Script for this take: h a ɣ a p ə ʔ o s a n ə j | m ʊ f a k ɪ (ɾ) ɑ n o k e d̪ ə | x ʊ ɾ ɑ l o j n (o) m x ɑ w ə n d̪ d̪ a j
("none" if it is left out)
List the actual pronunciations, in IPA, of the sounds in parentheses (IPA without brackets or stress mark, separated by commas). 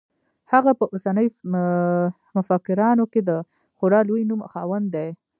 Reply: ɾ, u